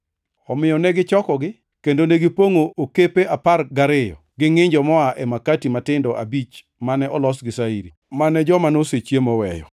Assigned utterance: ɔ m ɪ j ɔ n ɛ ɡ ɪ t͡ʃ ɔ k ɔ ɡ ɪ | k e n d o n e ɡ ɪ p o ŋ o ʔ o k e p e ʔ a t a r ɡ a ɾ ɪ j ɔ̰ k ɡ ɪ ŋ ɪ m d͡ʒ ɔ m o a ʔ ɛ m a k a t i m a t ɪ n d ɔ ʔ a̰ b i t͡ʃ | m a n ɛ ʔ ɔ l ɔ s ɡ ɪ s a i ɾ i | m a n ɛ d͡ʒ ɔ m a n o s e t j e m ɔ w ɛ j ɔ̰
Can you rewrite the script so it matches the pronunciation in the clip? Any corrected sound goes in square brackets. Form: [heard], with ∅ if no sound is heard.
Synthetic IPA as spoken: ɔ m ɪ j ɔ n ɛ ɡ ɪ t͡ʃ ɔ k ɔ ɡ ɪ | k e n d o n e ɡ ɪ p o ŋ o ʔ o k e p e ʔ a [p] a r ɡ a ɾ ɪ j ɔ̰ [∅] ɡ ɪ ŋ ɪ [ɲ] d͡ʒ ɔ m [ɔ] a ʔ ɛ m a k a t i m a t ɪ n d ɔ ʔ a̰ b i t͡ʃ | m a n ɛ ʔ ɔ l ɔ s ɡ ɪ s a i ɾ i | m a n ɛ d͡ʒ ɔ m a n o s e [t͡ʃ] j e m ɔ w ɛ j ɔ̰